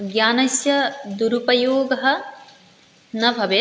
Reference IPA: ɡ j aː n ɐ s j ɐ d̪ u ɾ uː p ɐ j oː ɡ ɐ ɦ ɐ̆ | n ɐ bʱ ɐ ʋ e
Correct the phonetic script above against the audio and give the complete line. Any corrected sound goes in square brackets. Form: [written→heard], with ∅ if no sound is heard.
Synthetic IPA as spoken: ɡ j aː n ɐ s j ɐ d̪ u ɾ [uː→u] p ɐ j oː ɡ ɐ ɦ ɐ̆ | n ɐ bʱ ɐ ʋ e